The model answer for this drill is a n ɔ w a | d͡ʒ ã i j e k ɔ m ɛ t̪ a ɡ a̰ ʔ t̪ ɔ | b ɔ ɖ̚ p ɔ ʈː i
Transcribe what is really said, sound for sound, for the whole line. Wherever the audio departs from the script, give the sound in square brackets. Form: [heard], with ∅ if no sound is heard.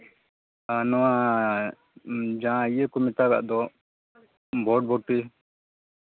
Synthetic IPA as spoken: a n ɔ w a | d͡ʒ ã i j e k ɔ m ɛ t̪ a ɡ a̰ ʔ [d̪] ɔ | b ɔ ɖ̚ [b] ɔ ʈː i